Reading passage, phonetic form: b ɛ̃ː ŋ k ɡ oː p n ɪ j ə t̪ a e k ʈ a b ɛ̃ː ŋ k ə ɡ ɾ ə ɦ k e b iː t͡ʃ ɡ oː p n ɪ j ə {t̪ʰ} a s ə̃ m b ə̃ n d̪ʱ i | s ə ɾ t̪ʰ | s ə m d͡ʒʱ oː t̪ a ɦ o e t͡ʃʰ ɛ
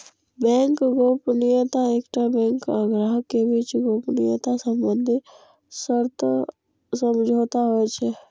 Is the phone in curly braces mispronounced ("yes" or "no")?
yes